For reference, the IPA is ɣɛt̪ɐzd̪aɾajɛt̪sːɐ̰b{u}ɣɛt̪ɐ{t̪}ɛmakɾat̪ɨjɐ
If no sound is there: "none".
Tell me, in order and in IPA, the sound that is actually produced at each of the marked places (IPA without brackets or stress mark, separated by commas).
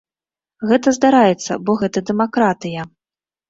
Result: ɔ, d̪